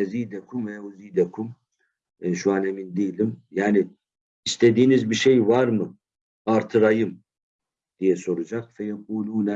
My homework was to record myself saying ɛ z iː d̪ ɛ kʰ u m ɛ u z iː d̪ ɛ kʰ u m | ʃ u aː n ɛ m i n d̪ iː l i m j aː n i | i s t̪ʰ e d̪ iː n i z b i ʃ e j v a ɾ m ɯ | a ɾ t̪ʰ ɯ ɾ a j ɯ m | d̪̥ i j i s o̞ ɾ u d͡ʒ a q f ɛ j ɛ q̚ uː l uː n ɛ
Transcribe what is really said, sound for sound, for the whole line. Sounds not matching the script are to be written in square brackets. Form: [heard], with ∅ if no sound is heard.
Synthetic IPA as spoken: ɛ z iː d̪ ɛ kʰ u m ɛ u z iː d̪ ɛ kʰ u m | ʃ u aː n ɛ m i n d̪ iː l i m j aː n i | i s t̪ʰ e d̪ iː n i z b i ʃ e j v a ɾ m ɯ | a ɾ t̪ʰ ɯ ɾ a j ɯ m | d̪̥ i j [ɛ] s o̞ ɾ u d͡ʒ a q f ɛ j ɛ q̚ uː l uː n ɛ